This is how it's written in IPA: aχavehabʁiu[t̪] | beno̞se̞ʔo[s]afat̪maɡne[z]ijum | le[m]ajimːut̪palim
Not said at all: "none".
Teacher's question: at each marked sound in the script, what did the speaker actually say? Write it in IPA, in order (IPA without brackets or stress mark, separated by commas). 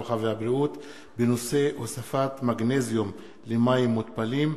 t̪, s, z, m